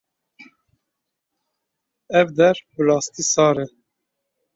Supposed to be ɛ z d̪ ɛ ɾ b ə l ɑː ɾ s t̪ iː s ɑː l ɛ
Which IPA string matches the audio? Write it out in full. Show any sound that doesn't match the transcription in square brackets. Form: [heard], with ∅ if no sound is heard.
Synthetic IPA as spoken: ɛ [v] d̪ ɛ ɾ b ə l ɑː [∅] s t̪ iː s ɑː [ɾ] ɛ